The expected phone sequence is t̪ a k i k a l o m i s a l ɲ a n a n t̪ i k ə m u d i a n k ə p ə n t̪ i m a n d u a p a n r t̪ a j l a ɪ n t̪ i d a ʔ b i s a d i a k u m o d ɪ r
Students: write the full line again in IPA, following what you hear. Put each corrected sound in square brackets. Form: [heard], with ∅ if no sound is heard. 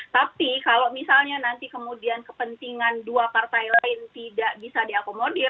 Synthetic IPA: t̪ a [p] i k a l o m i s a l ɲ a n a n t̪ i k ə m u d i a n k ə p ə n t̪ i [ŋ] a n d u a p a [∅] r t̪ a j l a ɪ n t̪ i d a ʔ b i s a d i a k [o] m o d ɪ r